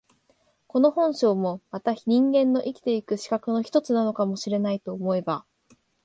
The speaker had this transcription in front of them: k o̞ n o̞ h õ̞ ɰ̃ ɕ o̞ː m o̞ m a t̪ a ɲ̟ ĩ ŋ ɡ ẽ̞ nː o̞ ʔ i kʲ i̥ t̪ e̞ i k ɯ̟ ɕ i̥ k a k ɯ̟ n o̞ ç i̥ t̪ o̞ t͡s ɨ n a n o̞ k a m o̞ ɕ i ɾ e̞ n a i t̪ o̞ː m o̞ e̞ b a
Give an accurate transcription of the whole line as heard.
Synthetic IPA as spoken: k o̞ n o̞ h õ̞ ɰ̃ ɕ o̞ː m o̞ m a t̪ a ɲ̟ ĩ ŋ ɡ ẽ̞ nː o̞ ʔ i kʲ i̥ t̪ e̞ i k ɯ̟ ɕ i̥ k a k ɯ̟ n o̞ ç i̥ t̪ o̞ t͡s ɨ n a n o̞ k a m o̞ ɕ i ɾ e̞ n a i t̪ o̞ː m o̞ e̞ b a